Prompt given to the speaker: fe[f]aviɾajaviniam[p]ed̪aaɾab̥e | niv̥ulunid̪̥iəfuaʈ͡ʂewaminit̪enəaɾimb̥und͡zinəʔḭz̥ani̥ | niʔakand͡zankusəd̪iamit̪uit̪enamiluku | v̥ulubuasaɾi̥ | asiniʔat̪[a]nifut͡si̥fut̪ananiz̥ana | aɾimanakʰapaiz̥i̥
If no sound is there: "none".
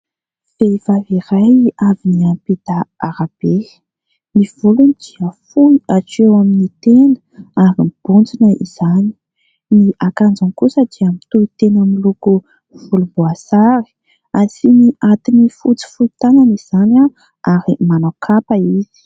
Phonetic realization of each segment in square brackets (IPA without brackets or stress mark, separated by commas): v, p, i